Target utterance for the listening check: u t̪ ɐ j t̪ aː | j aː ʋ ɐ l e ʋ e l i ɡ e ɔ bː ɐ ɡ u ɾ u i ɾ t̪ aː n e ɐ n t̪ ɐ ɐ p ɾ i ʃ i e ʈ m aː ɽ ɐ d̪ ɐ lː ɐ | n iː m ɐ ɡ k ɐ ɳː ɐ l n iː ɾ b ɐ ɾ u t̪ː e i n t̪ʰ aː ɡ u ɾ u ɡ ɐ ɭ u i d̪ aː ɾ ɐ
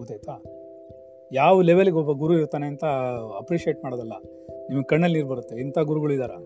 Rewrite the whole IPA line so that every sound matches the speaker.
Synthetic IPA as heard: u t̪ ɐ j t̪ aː | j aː ʋ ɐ l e ʋ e l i ɡ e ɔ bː ɐ ɡ u ɾ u i ɾ t̪ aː n e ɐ n t̪ ɐ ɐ p ɾ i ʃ i e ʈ m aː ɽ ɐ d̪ ɐ lː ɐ | n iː m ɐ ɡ k ɐ ɳː ɐ l n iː ɾ b ɐ ɾ u t̪ː e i n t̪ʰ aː ɡ u ɾ u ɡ ɐ ɭ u i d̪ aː ɾ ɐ